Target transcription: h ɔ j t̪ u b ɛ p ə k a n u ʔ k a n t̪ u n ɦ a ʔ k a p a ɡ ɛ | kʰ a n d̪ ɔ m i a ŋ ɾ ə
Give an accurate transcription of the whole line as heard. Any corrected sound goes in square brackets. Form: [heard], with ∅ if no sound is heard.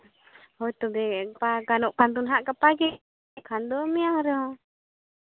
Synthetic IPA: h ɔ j t̪ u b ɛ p [a] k a n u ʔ k a n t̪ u n ɦ a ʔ k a p a ɡ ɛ | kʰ a n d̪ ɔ m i a ŋ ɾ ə